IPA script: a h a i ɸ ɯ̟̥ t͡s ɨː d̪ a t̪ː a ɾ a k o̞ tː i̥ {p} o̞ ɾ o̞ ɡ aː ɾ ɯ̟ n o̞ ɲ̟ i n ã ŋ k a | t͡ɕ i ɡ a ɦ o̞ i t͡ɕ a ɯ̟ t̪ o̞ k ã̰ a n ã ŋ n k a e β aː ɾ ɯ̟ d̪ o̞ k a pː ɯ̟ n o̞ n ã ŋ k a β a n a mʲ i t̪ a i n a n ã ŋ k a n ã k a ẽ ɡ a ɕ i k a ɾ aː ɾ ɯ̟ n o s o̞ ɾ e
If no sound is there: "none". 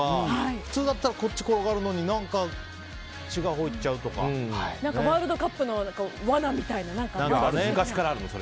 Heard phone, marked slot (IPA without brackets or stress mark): k